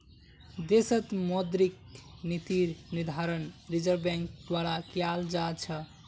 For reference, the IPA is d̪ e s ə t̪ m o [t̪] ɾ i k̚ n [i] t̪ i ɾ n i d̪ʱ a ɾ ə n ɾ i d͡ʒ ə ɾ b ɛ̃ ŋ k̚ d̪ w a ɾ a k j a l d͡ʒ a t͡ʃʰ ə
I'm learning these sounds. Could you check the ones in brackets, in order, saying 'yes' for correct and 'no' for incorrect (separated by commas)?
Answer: no, yes